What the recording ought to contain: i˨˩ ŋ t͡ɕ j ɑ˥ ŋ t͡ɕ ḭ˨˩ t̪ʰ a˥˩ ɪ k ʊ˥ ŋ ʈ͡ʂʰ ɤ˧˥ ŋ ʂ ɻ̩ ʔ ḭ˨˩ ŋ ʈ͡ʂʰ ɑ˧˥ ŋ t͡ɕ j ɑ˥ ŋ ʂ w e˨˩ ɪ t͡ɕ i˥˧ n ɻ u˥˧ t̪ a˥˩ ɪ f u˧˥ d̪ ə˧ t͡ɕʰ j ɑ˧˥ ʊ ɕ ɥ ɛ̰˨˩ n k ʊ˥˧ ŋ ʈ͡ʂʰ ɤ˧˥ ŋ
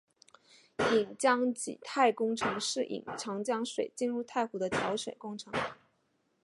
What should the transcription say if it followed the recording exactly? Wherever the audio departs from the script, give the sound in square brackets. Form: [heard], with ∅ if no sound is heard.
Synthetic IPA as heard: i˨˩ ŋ t͡ɕ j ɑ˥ ŋ t͡ɕ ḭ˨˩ t̪ʰ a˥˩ ɪ k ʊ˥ ŋ ʈ͡ʂʰ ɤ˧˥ ŋ ʂ ɻ̩ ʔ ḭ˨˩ ŋ ʈ͡ʂʰ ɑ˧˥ ŋ t͡ɕ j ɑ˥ ŋ ʂ w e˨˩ ɪ t͡ɕ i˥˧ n ɻ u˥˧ [t̪ʰ] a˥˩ ɪ [x] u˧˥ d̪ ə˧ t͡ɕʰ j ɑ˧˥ ʊ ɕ ɥ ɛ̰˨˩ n k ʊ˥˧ ŋ ʈ͡ʂʰ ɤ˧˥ ŋ